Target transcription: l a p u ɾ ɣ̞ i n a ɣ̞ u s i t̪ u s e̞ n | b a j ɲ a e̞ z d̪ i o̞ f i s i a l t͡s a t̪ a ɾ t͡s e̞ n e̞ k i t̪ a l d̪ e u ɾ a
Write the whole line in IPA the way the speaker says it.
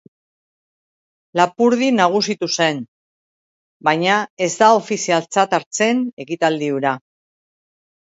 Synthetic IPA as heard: l a p u ɾ ð̞ i n a ɣ̞ u s i t̪ u s e̞ n | b a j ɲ a e̞ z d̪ a o̞ f i s i a l t͡s a t̪ a ɾ t͡s e̞ n e̞ k i t̪ a l d̪ i u ɾ a